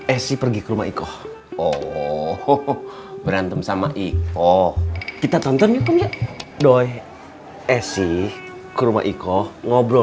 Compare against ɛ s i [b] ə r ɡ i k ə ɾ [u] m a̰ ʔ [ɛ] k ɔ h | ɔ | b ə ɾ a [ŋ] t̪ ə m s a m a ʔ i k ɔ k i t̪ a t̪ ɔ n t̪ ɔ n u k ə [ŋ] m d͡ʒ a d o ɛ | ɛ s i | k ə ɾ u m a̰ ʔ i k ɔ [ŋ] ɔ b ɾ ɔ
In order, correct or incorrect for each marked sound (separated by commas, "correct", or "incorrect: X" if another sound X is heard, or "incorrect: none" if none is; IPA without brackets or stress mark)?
incorrect: p, correct, incorrect: i, incorrect: n, incorrect: none, correct